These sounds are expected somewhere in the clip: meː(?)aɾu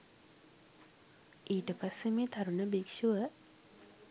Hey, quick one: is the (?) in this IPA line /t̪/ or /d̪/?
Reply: t̪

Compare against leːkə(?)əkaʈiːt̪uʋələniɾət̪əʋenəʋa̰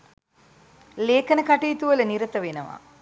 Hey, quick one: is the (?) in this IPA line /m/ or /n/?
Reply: n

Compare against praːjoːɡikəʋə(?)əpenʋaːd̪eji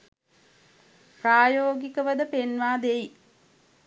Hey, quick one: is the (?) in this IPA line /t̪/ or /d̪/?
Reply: d̪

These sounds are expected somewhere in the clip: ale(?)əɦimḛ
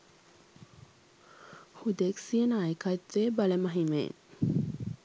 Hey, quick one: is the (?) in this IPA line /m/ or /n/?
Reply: m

